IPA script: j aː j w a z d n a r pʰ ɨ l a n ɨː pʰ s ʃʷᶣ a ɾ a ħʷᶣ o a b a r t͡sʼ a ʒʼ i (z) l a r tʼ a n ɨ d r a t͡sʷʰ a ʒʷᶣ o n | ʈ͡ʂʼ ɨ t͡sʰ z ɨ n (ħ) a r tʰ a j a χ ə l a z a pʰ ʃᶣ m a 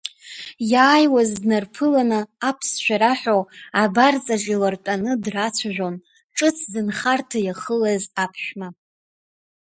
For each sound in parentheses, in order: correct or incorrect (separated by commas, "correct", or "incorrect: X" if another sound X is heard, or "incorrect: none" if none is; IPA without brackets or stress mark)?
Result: incorrect: none, incorrect: χ